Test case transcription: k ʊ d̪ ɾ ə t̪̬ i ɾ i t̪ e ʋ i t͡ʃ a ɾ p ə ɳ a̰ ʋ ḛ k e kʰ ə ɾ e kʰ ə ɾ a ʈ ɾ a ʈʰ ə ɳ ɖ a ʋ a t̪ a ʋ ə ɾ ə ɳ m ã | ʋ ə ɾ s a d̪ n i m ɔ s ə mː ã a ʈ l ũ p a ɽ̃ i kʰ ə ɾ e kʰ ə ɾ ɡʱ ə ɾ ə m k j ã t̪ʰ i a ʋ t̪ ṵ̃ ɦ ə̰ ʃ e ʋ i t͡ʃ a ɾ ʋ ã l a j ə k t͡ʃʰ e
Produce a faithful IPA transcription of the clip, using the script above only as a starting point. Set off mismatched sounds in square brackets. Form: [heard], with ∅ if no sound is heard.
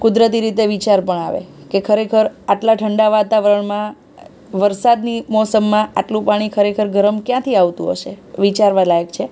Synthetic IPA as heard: k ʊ d̪ ɾ ə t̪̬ i ɾ i t̪ e ʋ i t͡ʃ a ɾ p ə ɳ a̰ ʋ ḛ k e kʰ ə ɾ e kʰ ə ɾ a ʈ [l] a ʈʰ ə ɳ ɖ a ʋ a t̪ a ʋ ə ɾ ə ɳ m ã | ʋ ə ɾ s a d̪ n i m ɔ s ə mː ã a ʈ l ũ p a ɽ̃ i kʰ ə ɾ e kʰ ə ɾ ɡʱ ə ɾ ə m k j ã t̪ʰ i a ʋ t̪ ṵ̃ ɦ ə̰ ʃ e ʋ i t͡ʃ a ɾ ʋ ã l a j ə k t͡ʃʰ e